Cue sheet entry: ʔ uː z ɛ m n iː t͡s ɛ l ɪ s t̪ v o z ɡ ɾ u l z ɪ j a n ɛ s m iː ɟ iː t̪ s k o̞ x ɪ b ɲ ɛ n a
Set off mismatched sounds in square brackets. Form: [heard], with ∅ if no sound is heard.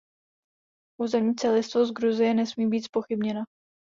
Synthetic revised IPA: ʔ uː z ɛ m [ɲ] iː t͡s ɛ l ɪ s t̪ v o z ɡ ɾ u [∅] z ɪ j [ɛ] n ɛ s m iː [b] iː t̪ s [p] o̞ x ɪ b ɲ ɛ n a